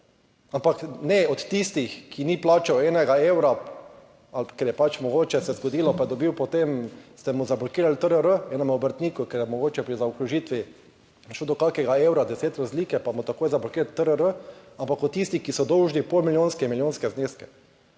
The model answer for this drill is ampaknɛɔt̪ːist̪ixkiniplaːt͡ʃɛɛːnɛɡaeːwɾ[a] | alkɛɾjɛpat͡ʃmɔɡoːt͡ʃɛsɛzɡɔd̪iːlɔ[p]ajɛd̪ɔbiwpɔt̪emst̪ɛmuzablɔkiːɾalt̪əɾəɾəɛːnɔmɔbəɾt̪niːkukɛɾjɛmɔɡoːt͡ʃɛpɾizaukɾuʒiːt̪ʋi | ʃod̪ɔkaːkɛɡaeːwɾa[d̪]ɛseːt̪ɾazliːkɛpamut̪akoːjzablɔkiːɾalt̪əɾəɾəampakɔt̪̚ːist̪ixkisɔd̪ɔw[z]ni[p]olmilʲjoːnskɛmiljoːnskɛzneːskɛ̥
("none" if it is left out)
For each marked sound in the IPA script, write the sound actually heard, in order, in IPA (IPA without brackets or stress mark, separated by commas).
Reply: a, p, d̪, ʒ, p